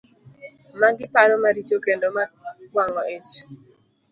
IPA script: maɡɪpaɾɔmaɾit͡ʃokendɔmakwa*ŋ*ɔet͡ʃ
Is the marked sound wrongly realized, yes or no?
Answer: no